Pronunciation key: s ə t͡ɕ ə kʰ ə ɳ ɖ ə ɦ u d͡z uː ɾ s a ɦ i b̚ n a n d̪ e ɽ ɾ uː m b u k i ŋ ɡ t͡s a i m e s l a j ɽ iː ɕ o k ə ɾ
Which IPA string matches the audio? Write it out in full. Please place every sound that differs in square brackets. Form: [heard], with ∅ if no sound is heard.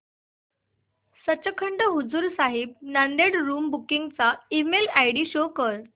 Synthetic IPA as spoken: s ə t͡ɕ ə kʰ ə ɳ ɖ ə ɦ u d͡z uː ɾ s a ɦ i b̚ n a n d̪ e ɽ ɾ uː m b u k i ŋ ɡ t͡s a i m e [∅] l a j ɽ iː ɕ o k ə ɾ